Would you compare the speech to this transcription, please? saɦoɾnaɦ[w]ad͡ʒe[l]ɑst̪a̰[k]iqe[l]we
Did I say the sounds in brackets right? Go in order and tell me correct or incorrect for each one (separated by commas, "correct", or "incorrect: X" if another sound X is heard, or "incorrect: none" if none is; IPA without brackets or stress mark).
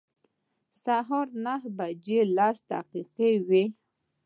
incorrect: b, correct, incorrect: q, incorrect: none